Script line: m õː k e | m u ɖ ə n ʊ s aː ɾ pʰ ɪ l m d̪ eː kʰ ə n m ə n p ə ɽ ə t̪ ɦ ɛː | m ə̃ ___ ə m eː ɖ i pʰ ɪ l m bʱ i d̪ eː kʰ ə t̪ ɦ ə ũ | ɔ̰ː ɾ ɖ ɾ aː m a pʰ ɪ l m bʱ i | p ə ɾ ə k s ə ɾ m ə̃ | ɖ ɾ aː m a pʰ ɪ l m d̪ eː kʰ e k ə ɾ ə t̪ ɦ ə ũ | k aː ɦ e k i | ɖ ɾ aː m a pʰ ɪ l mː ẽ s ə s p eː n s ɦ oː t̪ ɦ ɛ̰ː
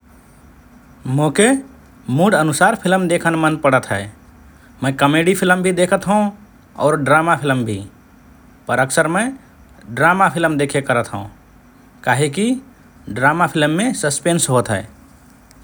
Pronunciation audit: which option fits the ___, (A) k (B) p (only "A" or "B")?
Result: A